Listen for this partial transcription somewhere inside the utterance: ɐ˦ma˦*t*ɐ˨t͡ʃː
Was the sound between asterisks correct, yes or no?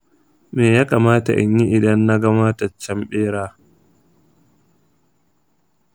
yes